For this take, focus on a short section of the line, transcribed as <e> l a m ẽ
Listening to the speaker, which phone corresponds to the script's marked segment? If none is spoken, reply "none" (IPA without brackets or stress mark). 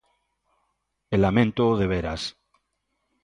e